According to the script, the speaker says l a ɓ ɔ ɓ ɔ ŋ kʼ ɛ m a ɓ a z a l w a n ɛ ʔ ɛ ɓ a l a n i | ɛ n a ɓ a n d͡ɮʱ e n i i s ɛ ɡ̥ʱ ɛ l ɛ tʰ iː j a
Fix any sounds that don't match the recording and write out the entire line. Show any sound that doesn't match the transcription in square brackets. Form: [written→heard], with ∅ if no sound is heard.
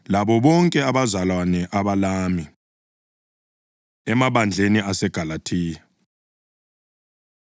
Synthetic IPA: l a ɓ ɔ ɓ ɔ ŋ kʼ ɛ [m→∅] a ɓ a z a l w a n ɛ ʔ [ɛ→a] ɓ a l a [n→m] i | ɛ [n→m] a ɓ a n d͡ɮʱ e n i [i→a] s ɛ ɡ̥ʱ [ɛ→a] l [ɛ→a] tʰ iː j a